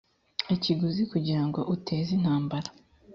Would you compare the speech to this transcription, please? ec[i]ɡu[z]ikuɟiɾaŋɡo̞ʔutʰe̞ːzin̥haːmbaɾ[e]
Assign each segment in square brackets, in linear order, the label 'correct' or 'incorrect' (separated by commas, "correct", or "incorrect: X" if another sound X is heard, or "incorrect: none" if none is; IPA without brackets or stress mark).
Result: correct, correct, incorrect: a